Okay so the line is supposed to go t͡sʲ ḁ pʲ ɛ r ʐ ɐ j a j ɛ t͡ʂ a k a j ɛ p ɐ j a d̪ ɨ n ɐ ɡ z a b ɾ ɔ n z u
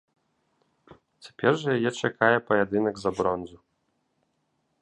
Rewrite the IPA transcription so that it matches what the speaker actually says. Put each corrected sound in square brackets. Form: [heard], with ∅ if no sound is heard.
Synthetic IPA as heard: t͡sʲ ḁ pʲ ɛ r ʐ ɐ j a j ɛ t͡ʂ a k a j ɛ p ɐ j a d̪ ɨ n ɐ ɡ z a b ɾ ɔ n z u